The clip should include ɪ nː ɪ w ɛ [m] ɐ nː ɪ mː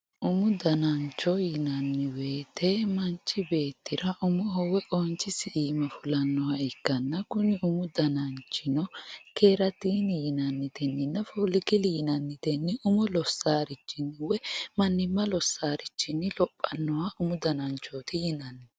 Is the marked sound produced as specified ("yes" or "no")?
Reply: yes